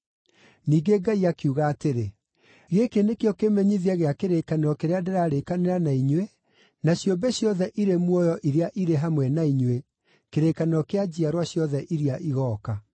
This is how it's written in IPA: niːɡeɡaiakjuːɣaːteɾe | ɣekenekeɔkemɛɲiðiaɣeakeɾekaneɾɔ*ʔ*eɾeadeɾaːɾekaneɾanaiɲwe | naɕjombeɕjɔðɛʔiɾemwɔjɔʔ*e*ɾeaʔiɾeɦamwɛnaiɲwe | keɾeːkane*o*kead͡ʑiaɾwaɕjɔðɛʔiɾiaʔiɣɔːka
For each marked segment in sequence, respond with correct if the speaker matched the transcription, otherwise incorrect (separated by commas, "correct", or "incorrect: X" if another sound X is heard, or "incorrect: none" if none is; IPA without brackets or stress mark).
incorrect: k, incorrect: i, incorrect: ɔ